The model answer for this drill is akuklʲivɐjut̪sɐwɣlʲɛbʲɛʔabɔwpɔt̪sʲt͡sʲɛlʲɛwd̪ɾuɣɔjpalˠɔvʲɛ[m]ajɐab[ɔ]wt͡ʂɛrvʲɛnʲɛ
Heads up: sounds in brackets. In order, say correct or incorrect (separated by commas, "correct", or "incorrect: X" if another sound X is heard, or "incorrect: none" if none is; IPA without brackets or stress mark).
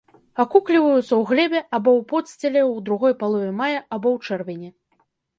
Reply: correct, correct